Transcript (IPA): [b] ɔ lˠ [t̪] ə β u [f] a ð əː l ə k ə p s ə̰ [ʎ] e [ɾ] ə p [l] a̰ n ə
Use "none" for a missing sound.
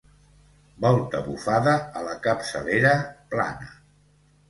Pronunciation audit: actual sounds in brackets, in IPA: b, t̪, f, l, ɾ, l

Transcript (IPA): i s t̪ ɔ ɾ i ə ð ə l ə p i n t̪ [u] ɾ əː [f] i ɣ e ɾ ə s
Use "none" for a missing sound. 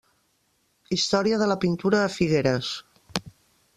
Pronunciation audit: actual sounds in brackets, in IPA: u, f

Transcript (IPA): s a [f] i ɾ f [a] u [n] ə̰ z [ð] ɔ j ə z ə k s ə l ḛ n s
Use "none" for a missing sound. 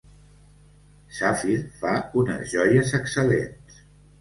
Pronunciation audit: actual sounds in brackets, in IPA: f, a, n, ʒ

